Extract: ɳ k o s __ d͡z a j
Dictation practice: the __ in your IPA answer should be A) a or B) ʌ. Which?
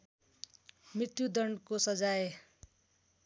B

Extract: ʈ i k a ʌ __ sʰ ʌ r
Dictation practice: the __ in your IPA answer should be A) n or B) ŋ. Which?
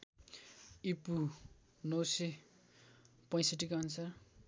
A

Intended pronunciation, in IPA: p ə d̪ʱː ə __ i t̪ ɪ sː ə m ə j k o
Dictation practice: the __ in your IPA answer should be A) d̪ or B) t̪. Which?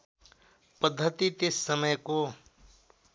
B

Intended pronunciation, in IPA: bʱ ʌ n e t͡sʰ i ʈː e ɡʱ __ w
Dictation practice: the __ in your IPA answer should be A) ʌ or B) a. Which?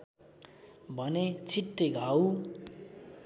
B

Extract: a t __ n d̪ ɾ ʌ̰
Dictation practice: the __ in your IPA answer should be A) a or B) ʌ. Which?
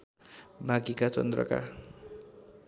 B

